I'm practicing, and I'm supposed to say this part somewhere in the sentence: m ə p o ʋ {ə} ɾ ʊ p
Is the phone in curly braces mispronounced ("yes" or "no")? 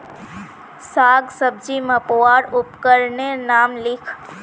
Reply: yes